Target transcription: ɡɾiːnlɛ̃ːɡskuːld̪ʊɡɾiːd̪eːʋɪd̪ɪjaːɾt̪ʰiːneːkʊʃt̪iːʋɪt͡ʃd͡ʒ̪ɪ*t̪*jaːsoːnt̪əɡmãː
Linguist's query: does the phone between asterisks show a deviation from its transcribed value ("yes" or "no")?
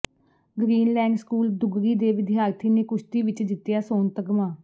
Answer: no